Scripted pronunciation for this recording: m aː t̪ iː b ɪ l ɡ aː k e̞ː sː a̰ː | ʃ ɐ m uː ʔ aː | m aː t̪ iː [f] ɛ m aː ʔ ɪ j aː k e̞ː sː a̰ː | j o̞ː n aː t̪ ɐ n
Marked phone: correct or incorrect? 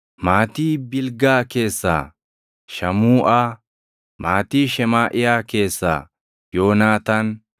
incorrect: ʃ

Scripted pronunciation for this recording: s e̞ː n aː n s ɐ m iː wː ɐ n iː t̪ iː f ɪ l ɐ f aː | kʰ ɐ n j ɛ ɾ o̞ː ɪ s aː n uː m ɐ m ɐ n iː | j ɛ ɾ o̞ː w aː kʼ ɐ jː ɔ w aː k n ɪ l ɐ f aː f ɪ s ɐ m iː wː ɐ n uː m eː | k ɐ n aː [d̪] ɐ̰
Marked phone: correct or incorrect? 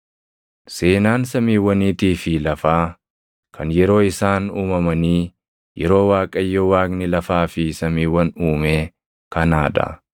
correct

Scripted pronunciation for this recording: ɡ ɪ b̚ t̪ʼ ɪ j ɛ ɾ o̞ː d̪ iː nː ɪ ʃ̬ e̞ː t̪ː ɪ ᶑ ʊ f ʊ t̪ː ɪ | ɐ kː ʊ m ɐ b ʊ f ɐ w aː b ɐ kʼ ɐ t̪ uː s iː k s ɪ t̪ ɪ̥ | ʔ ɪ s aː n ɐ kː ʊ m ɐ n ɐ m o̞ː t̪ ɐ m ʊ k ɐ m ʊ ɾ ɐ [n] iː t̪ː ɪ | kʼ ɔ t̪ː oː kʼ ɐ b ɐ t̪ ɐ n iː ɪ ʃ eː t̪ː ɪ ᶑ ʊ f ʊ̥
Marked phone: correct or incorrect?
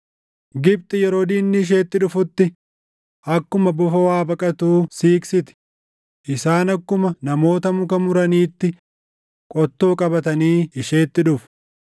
correct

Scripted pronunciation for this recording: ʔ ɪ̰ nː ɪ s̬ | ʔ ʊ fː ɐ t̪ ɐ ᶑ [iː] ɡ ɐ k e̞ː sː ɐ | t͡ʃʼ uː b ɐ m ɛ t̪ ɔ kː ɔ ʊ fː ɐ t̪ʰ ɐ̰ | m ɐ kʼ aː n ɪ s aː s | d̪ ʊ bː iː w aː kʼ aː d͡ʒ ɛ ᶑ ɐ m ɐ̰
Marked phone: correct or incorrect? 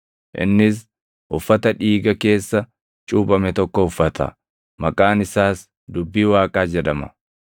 correct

